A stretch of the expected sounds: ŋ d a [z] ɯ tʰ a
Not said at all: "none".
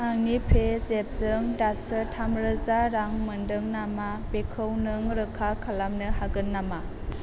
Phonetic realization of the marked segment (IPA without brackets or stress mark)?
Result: s